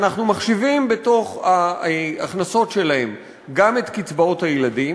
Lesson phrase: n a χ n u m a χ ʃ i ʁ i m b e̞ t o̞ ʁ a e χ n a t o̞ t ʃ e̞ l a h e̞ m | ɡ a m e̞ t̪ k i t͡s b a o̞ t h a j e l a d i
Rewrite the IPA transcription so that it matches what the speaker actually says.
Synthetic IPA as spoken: n a χ n u m a χ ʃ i v i m b e̞ t o̞ χ a a χ n a s o̞ t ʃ e̞ l a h e̞ m | ɡ a m e̞ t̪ k i t͡s b a o̞ t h a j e l a d i